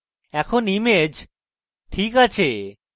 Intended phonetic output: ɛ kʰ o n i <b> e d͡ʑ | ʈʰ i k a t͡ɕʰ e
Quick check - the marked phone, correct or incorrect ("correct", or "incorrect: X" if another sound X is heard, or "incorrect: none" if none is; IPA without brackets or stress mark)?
incorrect: m